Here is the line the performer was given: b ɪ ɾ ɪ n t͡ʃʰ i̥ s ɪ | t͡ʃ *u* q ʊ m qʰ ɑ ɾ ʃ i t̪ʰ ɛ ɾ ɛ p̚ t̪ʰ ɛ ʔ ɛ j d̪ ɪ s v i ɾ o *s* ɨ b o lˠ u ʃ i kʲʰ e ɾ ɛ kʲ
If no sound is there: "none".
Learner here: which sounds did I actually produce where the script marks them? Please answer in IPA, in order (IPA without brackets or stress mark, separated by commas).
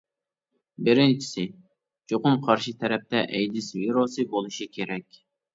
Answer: o, s